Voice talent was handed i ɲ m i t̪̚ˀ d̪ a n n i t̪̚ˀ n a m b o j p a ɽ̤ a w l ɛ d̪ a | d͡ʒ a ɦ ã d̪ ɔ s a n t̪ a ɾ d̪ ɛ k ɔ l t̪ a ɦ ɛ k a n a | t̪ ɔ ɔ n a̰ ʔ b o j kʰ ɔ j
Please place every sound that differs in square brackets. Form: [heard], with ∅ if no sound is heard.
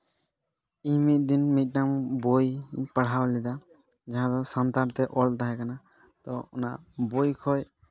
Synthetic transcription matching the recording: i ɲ m i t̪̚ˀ d̪ [i] n [m] i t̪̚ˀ n a m b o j p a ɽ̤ a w l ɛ d̪ a | d͡ʒ a ɦ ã d̪ ɔ s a n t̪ a ɾ [t̪] ɛ [ʔ] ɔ l t̪ a ɦ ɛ k a n a | t̪ ɔ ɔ n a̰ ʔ b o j kʰ ɔ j